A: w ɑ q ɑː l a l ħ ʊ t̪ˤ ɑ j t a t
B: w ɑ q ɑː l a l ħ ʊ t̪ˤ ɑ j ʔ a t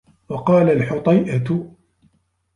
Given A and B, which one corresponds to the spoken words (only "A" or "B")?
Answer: B